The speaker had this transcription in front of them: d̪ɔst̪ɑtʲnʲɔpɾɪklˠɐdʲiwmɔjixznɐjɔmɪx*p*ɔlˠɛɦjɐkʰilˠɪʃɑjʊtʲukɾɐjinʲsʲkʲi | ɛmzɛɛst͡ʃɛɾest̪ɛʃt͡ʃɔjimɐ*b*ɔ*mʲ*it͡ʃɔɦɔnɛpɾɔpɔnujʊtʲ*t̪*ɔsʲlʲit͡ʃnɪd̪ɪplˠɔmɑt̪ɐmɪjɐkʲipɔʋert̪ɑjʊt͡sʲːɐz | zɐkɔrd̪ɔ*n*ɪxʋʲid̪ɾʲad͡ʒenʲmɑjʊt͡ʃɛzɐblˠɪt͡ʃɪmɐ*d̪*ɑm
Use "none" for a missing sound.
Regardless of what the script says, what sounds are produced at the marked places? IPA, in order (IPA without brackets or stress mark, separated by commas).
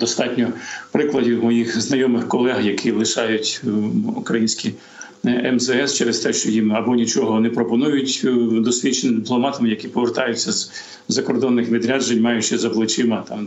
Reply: k, b, nʲ, d̪, nː, t̪